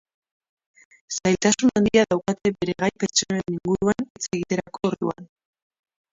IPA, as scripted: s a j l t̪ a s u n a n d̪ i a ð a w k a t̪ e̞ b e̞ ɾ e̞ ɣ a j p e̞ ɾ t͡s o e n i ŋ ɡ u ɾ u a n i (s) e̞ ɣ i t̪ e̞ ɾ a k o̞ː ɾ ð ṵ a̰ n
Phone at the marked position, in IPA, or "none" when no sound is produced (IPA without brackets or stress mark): t͡s